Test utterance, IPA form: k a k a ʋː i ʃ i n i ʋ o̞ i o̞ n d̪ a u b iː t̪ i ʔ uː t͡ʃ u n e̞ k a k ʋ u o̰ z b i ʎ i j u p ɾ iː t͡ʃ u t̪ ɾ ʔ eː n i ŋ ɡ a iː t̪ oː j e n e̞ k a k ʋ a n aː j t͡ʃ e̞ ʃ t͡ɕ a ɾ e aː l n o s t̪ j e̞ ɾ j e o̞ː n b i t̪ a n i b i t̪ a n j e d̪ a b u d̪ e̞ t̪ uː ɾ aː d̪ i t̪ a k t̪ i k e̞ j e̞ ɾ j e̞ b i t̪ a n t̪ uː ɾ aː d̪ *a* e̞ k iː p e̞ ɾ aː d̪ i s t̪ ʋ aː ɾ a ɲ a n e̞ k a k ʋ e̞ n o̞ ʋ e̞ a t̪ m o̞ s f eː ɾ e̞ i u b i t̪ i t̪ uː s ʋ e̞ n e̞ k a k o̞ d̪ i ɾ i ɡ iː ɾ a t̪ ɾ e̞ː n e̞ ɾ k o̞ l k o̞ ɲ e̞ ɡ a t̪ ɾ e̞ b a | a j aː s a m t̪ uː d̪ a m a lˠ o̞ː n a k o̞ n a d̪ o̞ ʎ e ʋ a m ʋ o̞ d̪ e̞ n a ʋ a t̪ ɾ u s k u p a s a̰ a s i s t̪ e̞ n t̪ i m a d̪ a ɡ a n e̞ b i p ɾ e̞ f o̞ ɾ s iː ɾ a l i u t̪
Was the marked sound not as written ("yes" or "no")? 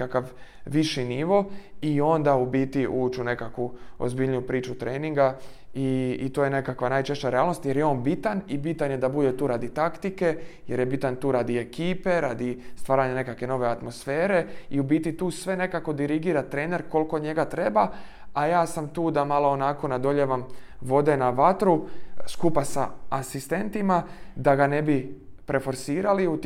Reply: yes